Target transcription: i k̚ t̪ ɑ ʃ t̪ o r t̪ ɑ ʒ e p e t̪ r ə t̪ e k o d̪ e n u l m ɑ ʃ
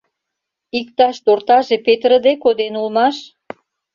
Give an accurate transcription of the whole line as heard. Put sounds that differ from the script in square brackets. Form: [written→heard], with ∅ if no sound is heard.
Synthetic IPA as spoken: i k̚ t̪ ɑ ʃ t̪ o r t̪ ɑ ʒ e p e t̪ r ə [t̪→d̪] e k o d̪ e n u l m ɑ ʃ